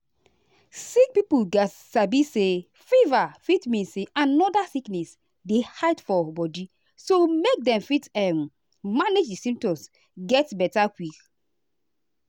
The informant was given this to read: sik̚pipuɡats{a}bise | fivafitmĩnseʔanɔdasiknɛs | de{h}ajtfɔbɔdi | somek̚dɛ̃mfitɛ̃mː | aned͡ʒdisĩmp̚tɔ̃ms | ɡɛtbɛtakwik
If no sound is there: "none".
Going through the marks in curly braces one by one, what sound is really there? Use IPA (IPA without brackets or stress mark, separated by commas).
a, h